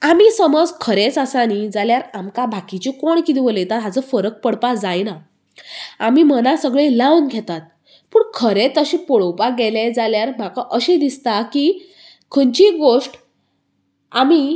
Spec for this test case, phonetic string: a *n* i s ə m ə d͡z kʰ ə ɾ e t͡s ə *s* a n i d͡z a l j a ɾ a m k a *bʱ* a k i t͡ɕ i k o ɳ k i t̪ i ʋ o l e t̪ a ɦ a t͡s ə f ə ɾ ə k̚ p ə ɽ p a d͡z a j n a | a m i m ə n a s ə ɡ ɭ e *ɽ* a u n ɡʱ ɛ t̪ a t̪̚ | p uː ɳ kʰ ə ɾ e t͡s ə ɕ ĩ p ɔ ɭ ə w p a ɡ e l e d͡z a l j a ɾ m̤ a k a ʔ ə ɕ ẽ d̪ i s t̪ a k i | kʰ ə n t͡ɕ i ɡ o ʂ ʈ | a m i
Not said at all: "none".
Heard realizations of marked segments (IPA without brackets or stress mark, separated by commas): m, s, bʱ, l